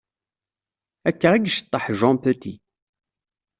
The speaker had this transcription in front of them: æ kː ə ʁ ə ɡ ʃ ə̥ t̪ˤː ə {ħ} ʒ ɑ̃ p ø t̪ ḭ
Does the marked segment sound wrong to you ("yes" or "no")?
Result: no